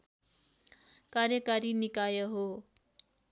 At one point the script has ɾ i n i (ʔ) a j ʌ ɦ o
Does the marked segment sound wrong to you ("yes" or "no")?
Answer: yes